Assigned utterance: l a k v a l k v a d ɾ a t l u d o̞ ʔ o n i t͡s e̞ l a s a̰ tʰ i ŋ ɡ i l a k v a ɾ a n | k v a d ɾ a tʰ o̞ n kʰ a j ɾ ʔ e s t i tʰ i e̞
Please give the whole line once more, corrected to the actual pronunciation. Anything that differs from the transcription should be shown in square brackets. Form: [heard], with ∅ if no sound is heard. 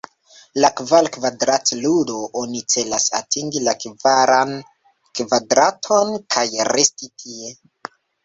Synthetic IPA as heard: l a k v a l k v a d ɾ a t l u d o̞ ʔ o n i t͡s e̞ l a s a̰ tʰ i ŋ ɡ i l a k v a ɾ a n | k v a d ɾ a tʰ o̞ n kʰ a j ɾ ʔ e s t i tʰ i e̞